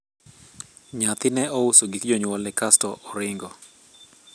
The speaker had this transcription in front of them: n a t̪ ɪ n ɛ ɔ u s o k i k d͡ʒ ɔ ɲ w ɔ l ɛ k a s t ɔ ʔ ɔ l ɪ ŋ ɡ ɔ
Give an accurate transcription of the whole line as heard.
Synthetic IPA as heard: ɲ a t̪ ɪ n ɛ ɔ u s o ɡ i k d͡ʒ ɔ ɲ w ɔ l ɛ k a s t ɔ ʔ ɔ ɾ ɪ ŋ ɡ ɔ